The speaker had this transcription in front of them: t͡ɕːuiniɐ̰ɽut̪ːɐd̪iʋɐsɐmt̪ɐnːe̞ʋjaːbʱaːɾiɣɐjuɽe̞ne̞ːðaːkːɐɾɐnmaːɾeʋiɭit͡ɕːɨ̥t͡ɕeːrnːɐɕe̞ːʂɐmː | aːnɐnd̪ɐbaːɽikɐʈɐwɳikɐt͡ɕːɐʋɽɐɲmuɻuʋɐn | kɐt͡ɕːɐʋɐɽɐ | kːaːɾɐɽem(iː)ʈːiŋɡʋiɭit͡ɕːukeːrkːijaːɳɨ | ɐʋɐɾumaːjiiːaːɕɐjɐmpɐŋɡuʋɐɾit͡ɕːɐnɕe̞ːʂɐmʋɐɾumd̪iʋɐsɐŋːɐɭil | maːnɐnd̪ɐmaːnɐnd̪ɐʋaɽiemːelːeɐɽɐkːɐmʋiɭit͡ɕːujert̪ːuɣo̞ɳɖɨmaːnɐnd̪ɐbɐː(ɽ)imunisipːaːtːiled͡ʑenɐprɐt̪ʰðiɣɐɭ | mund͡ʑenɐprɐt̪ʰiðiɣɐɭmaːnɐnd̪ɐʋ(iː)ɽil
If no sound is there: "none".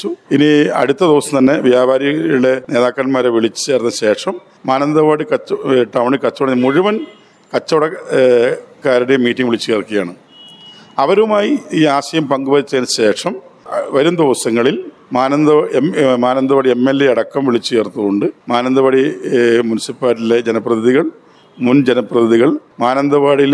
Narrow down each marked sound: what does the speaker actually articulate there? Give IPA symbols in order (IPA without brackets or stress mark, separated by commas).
iː, ɽ, aː